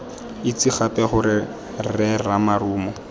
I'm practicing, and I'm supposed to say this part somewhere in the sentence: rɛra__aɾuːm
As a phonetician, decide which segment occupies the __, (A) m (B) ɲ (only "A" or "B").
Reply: A